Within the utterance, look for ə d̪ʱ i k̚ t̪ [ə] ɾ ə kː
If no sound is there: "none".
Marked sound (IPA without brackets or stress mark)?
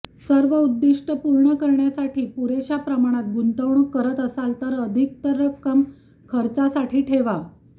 ə